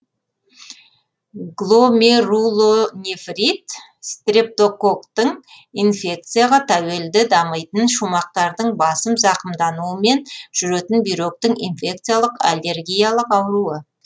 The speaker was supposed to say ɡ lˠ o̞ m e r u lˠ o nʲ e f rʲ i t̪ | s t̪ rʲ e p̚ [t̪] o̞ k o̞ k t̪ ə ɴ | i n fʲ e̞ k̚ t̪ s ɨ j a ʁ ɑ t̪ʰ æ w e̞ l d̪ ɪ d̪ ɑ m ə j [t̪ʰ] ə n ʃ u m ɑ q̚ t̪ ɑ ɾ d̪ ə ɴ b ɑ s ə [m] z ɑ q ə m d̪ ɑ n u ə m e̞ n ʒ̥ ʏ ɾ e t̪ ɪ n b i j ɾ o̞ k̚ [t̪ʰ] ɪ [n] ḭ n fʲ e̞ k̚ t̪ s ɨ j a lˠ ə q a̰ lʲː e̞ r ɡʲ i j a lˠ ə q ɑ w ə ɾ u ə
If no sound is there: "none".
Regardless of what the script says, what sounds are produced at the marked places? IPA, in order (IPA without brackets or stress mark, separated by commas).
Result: t̪, t̪, m, t̪, ŋ